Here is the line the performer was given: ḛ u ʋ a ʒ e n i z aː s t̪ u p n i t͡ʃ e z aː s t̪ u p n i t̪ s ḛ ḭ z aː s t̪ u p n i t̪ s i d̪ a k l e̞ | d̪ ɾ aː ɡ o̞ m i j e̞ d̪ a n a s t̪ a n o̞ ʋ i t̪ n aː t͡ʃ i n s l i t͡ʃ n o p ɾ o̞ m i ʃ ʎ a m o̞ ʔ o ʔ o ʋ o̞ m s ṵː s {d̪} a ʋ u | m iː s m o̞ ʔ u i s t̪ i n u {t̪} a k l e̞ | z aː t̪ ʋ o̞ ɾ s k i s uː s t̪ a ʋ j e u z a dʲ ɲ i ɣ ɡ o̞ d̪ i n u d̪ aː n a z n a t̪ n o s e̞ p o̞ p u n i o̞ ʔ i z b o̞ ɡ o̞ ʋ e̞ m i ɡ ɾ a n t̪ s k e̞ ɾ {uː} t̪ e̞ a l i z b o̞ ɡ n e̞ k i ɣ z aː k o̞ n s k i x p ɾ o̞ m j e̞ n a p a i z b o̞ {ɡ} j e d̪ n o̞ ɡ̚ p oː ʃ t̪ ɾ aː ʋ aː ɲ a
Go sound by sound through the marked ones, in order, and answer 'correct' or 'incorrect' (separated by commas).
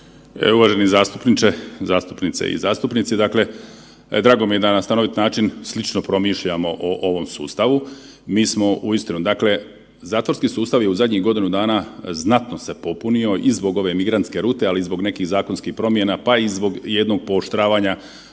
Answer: incorrect, incorrect, correct, correct